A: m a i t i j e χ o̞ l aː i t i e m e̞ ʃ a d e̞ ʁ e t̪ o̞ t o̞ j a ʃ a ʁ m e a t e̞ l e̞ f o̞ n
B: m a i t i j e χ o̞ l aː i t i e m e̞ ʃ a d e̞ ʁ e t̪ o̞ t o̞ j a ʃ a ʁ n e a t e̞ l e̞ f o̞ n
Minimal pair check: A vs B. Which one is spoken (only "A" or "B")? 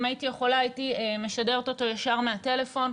A